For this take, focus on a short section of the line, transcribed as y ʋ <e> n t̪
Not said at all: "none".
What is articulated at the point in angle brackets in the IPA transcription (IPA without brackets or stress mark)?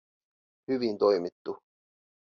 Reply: i